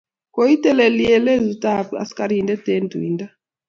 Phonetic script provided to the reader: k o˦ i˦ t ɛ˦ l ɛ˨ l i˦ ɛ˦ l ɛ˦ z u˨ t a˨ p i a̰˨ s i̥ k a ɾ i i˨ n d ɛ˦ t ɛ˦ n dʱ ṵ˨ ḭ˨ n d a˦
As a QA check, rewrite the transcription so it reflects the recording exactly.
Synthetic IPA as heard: k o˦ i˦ t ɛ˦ l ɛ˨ l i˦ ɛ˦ l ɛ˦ z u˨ t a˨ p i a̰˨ s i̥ k a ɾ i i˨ n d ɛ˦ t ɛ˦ n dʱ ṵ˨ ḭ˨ n d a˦